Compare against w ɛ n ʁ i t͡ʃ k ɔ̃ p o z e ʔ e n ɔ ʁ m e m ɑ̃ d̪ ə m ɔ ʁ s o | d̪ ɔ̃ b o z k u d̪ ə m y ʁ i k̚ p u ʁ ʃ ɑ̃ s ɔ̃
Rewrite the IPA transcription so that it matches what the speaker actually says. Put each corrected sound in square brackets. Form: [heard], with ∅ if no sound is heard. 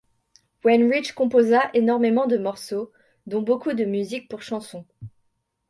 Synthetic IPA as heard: w ɛ n ʁ i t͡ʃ k ɔ̃ p o z [a] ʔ e n ɔ ʁ m e m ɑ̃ d̪ ə m ɔ ʁ s o | d̪ ɔ̃ b o [∅] k u d̪ ə m y [z] i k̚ p u ʁ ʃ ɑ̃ s ɔ̃